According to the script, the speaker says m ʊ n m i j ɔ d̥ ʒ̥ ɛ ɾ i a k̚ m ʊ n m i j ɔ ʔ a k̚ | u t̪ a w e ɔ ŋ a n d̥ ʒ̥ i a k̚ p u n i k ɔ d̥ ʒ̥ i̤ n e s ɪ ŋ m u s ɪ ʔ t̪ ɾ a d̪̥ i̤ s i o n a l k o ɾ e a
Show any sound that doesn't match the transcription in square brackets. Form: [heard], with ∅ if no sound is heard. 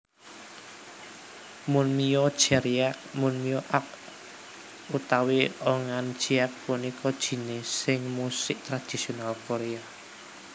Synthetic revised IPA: m ʊ n m i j ɔ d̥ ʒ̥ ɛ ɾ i a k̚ m ʊ n m i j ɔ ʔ a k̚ | u t̪ a w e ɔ ŋ a n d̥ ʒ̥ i a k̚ p u n i k ɔ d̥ ʒ̥ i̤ n e s ɪ ŋ m u s ɪ ʔ t̪ ɾ a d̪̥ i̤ s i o n a l k o ɾ e a